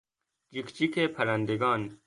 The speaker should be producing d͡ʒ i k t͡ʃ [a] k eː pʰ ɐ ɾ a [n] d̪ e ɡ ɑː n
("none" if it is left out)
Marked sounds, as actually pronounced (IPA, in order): i, n

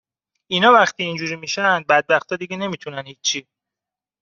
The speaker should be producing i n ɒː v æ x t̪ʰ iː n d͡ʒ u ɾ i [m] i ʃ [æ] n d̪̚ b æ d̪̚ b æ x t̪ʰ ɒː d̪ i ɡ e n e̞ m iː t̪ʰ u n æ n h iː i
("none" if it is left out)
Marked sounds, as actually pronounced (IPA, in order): m, æ

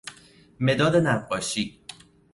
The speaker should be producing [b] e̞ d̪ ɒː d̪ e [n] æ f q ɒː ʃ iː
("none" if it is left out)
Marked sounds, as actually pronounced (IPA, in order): m, n

